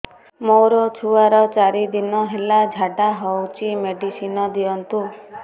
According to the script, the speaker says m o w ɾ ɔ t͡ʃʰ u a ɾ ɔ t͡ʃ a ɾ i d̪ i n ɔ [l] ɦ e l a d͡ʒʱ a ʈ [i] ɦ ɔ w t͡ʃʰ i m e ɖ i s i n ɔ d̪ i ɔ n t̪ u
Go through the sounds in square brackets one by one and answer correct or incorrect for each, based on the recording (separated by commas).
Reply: incorrect, incorrect